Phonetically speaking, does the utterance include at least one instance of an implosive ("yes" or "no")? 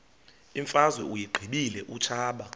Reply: yes